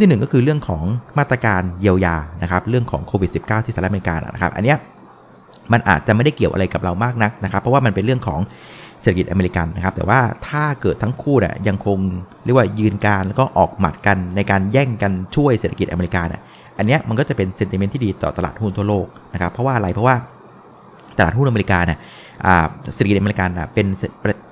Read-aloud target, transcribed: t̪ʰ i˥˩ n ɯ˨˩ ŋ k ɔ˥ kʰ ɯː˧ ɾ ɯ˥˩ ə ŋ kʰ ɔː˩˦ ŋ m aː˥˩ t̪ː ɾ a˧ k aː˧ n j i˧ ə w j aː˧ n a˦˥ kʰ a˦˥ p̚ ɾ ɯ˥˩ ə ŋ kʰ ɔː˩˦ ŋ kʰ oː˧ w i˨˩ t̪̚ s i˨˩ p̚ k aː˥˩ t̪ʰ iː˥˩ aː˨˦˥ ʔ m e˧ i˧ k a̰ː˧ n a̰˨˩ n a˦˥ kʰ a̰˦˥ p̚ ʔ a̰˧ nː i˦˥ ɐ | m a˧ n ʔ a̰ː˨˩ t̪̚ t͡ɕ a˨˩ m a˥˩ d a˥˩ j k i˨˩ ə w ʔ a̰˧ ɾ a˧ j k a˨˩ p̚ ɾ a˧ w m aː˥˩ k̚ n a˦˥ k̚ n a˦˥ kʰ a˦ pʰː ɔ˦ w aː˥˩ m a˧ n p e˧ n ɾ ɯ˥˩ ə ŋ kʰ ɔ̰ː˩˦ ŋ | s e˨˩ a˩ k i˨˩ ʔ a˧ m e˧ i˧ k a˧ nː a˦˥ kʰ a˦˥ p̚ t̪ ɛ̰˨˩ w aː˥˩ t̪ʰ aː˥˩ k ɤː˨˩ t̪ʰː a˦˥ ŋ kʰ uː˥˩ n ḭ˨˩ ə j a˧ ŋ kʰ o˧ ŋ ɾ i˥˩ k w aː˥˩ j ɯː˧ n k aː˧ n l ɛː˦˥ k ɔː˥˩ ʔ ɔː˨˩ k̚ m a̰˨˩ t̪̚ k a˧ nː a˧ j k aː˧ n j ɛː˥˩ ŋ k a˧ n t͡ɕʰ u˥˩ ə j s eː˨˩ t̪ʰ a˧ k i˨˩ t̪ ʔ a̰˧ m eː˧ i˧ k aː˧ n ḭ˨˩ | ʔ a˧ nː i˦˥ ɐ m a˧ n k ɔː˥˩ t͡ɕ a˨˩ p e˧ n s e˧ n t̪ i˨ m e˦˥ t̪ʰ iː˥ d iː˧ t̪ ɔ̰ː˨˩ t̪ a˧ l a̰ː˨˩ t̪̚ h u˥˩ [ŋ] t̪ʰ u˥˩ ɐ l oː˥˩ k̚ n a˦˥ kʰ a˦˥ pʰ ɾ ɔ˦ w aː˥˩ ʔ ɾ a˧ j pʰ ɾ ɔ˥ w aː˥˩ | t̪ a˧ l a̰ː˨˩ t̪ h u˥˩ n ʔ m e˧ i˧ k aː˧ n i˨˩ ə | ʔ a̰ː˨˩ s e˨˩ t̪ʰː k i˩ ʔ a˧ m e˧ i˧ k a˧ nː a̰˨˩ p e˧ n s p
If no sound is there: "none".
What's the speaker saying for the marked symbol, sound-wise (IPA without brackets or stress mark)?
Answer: n